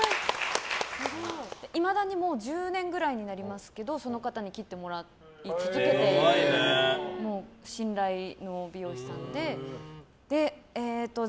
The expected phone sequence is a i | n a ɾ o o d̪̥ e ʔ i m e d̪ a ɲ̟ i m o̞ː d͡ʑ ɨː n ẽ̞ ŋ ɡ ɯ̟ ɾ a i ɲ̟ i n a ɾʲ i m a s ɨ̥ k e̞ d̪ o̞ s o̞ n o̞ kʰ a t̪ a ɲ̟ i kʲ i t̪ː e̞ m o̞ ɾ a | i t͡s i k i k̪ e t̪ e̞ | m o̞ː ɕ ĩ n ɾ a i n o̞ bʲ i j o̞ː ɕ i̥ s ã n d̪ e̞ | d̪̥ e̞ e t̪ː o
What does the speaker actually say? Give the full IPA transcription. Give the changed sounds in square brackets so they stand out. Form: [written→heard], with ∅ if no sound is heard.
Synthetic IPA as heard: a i | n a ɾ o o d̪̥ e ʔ i m [e→a] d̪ a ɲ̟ i m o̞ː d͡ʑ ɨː n ẽ̞ ŋ ɡ ɯ̟ ɾ a i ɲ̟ i n a ɾʲ i m a s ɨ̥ k e̞ d̪ o̞ s o̞ n o̞ [kʰ→k] a t̪ a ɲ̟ i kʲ i t̪ː e̞ m o̞ ɾ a | i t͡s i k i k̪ e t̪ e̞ | m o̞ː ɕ ĩ n ɾ a i n o̞ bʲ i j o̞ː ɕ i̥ s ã n d̪ e̞ | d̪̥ e̞ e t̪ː o